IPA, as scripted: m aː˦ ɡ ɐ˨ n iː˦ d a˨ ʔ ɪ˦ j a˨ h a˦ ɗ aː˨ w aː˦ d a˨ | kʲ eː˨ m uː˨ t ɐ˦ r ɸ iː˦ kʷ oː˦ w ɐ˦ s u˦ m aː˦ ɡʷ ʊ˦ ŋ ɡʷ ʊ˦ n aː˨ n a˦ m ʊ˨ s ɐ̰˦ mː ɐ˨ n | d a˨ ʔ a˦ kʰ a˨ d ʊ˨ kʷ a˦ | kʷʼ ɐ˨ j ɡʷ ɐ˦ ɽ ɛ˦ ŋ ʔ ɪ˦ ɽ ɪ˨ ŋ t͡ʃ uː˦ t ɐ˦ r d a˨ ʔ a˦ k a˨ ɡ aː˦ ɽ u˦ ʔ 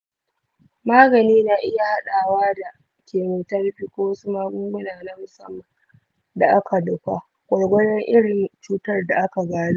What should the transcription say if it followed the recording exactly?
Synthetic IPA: m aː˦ ɡ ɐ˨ n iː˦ n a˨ ʔ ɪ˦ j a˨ h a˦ ɗ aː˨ w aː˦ d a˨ | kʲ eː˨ m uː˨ t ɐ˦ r ɸ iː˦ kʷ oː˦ w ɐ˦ s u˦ m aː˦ ɡʷ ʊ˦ ŋ ɡʷ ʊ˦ n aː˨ n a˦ m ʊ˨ s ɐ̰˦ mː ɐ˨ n | d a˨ ʔ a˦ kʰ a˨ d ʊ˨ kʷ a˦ | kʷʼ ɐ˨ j ɡʷ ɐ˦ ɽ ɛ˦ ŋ ʔ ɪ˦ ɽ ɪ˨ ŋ t͡ʃ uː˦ t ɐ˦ r d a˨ ʔ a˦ k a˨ ɡ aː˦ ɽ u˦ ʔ